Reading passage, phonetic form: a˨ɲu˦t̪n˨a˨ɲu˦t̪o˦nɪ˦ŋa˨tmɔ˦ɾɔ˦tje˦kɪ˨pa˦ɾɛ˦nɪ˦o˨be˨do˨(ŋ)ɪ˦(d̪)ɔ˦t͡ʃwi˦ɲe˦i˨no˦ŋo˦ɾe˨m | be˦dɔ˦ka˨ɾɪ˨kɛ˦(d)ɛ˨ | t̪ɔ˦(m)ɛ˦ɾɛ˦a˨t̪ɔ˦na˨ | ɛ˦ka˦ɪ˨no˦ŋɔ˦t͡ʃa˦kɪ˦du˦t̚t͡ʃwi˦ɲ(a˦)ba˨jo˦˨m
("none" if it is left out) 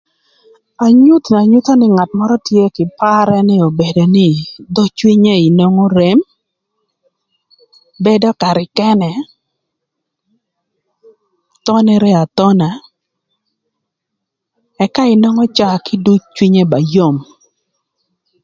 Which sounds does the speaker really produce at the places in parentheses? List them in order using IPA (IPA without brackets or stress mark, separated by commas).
n, d̪, n, n, e˦